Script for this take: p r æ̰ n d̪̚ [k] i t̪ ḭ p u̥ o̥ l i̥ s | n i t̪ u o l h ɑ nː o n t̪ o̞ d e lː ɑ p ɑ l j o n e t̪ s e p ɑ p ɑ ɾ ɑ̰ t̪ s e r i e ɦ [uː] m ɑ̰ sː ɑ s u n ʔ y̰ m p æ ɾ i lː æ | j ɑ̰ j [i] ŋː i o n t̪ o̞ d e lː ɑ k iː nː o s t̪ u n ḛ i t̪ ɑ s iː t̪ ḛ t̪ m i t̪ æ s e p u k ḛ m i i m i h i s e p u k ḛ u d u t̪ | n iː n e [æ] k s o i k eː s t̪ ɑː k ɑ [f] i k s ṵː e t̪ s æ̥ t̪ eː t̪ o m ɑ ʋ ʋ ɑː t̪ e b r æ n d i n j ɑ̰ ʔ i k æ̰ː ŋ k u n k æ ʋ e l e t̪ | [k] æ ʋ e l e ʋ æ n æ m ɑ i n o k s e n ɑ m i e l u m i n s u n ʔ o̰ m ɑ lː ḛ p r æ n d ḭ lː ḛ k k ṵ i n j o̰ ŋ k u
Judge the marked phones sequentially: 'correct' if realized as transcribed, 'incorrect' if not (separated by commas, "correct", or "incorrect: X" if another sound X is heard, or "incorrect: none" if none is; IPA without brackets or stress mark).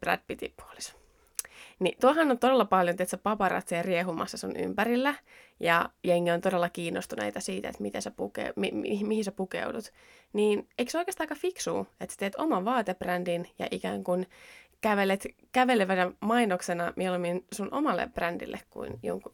incorrect: p, incorrect: u, incorrect: e, incorrect: i, correct, correct